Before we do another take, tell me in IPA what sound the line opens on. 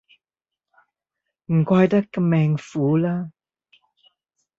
m̩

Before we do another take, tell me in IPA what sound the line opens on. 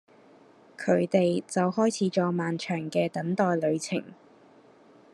kʰ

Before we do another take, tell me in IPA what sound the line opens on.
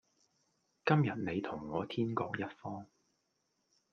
k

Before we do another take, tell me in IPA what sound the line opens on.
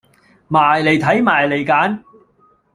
m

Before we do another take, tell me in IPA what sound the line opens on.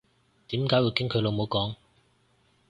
t̪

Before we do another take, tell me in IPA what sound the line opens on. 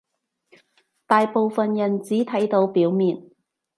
t̪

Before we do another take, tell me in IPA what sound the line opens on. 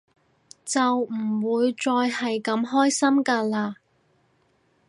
t͡s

